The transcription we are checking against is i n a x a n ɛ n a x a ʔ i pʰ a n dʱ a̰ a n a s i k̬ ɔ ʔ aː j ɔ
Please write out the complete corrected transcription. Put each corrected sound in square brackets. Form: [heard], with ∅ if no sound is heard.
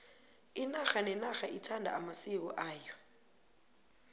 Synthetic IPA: i n a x a n ɛ n a x a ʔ i [tʰ] a n dʱ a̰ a [m] a s i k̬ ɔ ʔ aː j ɔ